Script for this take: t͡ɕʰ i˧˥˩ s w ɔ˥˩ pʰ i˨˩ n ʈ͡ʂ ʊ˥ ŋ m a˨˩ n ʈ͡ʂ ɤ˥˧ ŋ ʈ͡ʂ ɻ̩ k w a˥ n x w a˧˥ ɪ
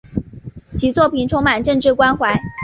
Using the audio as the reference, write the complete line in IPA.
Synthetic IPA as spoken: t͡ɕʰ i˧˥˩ t͡s w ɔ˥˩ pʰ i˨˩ n ʈ͡ʂʰ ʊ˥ ŋ m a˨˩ n ʈ͡ʂ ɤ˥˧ ŋ ʈ͡ʂ ɻ̩ k w a˥ n x w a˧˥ ɪ

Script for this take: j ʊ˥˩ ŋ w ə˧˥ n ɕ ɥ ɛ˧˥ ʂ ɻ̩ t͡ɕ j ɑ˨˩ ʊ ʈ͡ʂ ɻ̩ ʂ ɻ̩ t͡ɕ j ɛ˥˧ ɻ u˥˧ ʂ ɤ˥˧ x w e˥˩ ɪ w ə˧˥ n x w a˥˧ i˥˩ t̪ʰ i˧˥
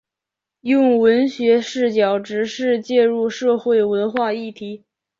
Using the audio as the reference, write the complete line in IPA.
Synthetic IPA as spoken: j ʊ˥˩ ŋ w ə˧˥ n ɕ ɥ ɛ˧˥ ʂ ɻ̩ t͡ɕ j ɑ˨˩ ʊ ʈ͡ʂ ɻ̩ ʂ ɻ̩ t͡ɕ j ɛ˥˧ ɻ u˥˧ ʂ ɤ˥˧ x w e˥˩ ɪ w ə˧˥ n x w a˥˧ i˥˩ t̪ʰ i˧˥

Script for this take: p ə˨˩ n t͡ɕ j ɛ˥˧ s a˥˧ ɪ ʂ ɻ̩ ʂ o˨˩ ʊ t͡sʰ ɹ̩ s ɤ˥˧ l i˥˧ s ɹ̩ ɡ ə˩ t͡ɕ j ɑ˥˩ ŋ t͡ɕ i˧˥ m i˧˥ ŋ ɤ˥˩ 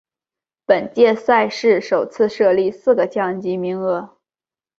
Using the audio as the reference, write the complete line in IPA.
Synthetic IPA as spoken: p ə˨˩ n t͡ɕ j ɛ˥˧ s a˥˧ ɪ ʂ ɻ̩ ʂ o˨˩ ʊ t͡sʰ ɹ̩ ʂ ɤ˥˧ l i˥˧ s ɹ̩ ɡ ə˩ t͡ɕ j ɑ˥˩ ŋ t͡ɕ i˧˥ m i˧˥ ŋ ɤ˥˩

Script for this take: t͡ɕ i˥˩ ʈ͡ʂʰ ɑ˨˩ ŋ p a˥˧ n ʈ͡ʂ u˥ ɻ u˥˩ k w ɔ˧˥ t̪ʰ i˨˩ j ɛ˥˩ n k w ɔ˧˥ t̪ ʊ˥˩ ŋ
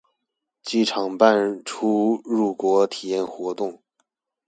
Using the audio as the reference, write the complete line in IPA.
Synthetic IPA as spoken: t͡ɕ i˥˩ ʈ͡ʂʰ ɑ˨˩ ŋ p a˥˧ n ʈ͡ʂʰ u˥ ɻ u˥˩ k w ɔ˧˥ t̪ʰ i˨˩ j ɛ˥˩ n x w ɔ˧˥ t̪ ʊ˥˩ ŋ

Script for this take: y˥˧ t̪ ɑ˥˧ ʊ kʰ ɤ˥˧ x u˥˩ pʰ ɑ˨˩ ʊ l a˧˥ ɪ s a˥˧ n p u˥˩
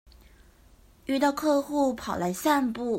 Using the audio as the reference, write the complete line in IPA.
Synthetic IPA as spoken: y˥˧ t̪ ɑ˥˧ ʊ kʰ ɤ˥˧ x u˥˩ pʰ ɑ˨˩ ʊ l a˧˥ ɪ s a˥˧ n p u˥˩

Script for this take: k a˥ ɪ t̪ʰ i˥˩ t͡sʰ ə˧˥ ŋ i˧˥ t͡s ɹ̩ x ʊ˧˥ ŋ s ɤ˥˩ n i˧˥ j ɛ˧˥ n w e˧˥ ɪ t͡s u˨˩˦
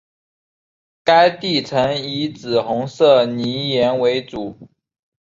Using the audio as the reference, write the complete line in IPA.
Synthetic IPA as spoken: k a˥ ɪ t̪ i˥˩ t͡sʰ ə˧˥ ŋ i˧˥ t͡s ɹ̩ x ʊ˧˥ ŋ s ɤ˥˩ n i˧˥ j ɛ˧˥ n w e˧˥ ɪ t͡s u˨˩˦

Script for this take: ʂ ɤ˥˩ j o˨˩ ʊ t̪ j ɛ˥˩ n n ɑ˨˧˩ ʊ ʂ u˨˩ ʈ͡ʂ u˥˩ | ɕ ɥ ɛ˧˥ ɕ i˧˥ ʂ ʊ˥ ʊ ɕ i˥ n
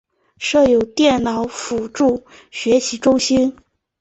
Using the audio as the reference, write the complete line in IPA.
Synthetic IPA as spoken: ʂ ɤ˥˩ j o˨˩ ʊ t̪ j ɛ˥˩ n n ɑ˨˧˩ ʊ f u˨˩ ʈ͡ʂ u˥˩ | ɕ ɥ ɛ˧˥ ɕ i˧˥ ʈ͡ʂ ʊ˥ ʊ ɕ i˥ n

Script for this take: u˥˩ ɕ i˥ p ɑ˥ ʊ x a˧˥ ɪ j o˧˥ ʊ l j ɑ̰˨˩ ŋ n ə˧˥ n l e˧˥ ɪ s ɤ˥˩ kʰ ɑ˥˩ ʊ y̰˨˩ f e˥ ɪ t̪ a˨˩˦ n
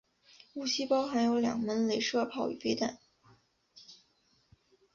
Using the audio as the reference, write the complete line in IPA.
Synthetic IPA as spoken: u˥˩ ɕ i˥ p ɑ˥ ʊ x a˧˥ ɪ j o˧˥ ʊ l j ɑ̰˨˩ ŋ m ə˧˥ n l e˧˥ ɪ ʂ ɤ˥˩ pʰ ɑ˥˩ ʊ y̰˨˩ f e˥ ɪ t̪ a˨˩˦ n

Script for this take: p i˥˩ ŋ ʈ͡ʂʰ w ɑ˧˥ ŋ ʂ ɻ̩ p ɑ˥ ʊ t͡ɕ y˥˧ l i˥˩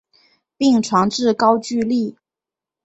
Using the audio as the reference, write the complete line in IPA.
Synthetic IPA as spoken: p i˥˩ ŋ ʈ͡ʂʰ w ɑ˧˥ ŋ ʈ͡ʂ ɻ̩ k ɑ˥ ʊ t͡ɕ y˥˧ l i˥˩

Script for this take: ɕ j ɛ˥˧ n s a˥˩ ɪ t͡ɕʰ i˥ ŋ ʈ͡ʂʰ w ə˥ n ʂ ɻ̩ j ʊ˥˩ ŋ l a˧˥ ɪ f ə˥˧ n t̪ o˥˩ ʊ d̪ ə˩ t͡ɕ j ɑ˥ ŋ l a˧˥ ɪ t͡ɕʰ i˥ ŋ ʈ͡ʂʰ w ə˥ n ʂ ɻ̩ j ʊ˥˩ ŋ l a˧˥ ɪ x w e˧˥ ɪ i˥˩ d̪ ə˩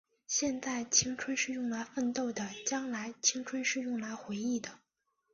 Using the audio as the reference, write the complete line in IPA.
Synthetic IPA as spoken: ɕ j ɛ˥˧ n t͡s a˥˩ ɪ t͡ɕʰ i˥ ŋ ʈ͡ʂʰ w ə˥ n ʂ ɻ̩ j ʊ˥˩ ŋ l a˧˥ ɪ f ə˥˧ n t̪ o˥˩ ʊ d̪ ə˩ t͡ɕ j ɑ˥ ŋ l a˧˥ ɪ t͡ɕʰ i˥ ŋ ʈ͡ʂʰ w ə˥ n ʂ ɻ̩ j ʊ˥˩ ŋ l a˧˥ ɪ x w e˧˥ ɪ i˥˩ d̪ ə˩

